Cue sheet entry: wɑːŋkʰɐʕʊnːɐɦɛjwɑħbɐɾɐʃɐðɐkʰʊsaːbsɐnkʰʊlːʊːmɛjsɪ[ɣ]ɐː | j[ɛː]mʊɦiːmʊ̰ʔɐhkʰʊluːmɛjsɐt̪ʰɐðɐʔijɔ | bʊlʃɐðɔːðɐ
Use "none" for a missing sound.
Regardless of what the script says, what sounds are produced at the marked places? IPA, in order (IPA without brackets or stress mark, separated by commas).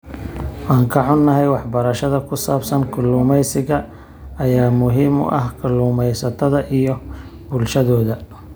ɣ, aː